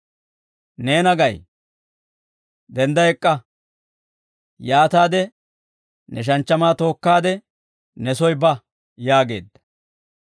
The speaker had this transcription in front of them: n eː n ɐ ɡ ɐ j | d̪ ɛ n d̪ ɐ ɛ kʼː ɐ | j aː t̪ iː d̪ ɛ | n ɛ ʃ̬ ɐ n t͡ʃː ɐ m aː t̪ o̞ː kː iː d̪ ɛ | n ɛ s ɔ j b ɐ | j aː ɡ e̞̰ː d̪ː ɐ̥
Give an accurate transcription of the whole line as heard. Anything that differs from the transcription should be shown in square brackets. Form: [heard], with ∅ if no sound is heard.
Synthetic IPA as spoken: n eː n ɐ ɡ ɐ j | d̪ ɛ n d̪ ɐ ɛ kʼː ɐ | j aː t̪ [aː] d̪ ɛ | n ɛ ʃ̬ ɐ n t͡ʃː ɐ m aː t̪ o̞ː kː [aː] d̪ ɛ | n ɛ s ɔ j b ɐ | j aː ɡ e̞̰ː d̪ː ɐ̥